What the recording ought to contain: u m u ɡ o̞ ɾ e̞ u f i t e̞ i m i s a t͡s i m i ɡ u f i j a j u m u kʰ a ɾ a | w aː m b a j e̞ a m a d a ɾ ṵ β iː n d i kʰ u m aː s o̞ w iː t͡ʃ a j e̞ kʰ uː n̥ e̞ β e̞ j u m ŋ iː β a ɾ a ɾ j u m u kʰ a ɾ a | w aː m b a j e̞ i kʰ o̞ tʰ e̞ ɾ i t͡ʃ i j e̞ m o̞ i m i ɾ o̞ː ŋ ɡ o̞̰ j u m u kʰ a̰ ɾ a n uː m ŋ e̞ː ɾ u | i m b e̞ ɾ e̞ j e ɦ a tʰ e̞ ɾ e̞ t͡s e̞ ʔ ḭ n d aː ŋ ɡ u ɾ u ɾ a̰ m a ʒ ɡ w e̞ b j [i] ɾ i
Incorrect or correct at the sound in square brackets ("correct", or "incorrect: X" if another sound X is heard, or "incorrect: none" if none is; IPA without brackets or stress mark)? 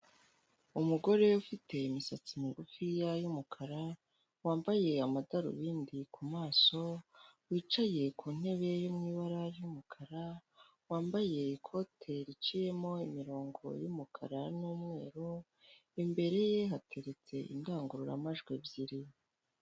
correct